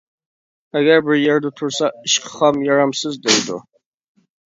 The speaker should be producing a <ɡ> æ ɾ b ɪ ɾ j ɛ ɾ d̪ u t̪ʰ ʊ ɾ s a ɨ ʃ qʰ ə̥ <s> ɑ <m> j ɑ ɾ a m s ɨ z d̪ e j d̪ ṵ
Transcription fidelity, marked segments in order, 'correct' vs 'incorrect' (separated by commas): correct, incorrect, correct